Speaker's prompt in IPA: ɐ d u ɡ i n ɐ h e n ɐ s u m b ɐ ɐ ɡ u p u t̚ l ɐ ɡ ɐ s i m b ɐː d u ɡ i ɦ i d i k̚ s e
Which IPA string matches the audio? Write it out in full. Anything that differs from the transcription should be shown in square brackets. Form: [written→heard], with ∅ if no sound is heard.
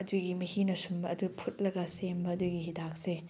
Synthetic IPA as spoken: ɐ d u ɡ i [n→m] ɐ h [e→i] n ɐ s u m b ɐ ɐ [ɡ→d] u [p→pʰ] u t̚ l ɐ ɡ ɐ s [i→e] m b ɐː d u ɡ i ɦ i d [i→a] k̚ s e